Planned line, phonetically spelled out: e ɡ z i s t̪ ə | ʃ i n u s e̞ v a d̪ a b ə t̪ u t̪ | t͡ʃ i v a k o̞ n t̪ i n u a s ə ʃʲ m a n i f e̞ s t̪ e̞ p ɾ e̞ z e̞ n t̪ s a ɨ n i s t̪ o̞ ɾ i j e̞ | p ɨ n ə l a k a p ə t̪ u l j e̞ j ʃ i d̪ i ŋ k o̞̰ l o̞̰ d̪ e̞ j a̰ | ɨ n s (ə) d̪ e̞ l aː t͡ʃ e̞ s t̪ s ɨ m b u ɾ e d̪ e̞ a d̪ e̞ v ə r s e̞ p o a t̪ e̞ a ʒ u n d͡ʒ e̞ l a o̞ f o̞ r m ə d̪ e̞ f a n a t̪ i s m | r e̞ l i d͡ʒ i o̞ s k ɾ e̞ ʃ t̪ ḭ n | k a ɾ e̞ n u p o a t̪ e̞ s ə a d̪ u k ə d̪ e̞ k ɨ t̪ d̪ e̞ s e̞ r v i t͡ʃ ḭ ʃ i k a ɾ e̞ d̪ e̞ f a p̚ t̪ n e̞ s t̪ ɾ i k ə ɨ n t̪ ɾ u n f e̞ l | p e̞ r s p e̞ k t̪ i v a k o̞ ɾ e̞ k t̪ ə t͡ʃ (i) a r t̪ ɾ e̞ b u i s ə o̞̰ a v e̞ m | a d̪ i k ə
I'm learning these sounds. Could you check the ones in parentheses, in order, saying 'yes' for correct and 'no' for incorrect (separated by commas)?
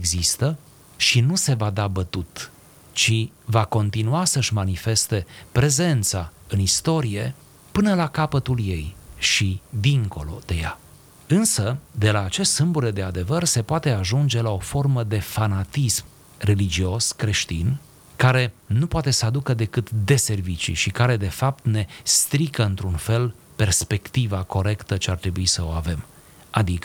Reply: yes, no